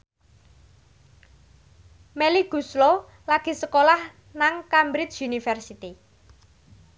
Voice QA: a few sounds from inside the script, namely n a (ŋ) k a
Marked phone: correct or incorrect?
correct